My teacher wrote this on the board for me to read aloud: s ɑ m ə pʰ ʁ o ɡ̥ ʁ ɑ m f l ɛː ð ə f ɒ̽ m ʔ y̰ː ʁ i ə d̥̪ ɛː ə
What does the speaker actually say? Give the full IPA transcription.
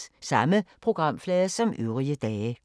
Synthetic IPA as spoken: s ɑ m ə pʰ ʁ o ɡ̥ ʁ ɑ m f l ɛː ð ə s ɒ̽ m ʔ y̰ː ʁ i ə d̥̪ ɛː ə